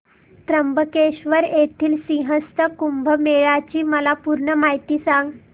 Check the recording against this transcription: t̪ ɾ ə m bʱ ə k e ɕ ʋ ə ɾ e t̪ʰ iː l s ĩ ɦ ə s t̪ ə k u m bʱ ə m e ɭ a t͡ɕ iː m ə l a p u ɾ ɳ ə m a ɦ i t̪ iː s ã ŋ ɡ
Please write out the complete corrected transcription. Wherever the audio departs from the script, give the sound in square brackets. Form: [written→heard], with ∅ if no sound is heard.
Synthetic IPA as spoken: t̪ ɾ ə m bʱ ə k e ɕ ʋ ə ɾ e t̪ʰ iː l s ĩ ɦ ə s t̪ ə k u m bʱ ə m e ɭ a t͡ɕ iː m ə l a p u ɾ ɳ ə m a ɦ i t̪ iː s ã ŋ ɡ